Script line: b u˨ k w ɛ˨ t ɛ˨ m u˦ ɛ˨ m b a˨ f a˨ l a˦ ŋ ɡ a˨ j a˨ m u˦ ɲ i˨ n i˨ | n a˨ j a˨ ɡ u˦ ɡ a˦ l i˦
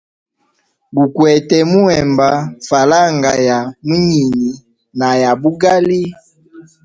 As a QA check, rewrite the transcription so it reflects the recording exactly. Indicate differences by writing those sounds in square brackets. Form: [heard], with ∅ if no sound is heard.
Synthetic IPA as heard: b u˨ k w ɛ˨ t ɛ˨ m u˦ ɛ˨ m b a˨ f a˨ l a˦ ŋ ɡ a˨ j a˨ m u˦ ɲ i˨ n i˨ | n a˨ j a˨ [b] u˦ ɡ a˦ l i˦